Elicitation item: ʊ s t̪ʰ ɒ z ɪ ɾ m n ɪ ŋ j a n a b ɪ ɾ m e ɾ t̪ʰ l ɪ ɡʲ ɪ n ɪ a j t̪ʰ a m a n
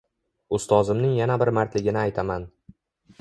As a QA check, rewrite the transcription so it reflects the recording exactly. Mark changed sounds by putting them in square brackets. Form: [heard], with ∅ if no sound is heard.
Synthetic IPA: ʊ s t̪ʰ ɒ z ɪ [∅] m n ɪ ŋ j a n a b ɪ ɾ m [a] ɾ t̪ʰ l ɪ ɡʲ ɪ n ɪ a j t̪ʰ a m a n